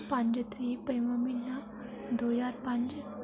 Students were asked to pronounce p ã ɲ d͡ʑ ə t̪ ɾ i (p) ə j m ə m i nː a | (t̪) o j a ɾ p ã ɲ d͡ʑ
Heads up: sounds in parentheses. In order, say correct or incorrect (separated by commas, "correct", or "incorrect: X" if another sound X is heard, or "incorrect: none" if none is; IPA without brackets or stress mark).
correct, incorrect: d̪